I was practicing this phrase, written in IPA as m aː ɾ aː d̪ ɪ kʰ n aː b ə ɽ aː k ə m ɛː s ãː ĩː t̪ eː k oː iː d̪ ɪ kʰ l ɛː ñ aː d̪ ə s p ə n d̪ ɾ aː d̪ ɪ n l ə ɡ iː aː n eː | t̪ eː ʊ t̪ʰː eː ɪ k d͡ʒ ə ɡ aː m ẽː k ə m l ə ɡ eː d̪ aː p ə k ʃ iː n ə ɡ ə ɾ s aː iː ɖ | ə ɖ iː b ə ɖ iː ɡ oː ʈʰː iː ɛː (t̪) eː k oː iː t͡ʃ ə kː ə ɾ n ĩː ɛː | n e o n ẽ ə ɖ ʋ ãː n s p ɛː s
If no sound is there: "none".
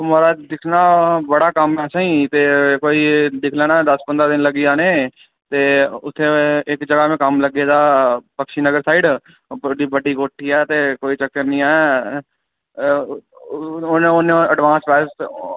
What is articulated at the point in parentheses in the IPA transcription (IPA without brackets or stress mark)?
t̪